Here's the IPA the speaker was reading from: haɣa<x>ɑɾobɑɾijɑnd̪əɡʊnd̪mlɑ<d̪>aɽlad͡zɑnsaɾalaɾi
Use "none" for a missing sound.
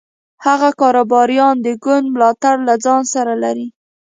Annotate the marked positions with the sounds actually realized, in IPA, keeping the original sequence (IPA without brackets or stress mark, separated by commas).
k, t̪